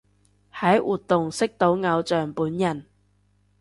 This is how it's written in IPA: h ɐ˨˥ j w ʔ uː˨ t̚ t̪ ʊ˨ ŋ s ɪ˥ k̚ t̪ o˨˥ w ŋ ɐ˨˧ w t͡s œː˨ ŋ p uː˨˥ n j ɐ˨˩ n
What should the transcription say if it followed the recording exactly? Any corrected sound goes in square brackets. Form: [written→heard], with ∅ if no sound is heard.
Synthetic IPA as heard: h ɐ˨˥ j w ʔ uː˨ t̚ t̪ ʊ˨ ŋ s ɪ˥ k̚ t̪ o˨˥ w ŋ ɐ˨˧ w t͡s œː˨ ŋ p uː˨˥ n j ɐ˨˩ n